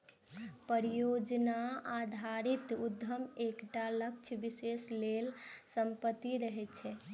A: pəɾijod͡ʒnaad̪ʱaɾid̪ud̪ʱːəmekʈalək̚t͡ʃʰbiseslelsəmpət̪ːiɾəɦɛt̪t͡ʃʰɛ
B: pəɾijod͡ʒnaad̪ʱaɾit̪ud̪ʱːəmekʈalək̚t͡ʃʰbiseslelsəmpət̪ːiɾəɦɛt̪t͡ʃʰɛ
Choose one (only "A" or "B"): B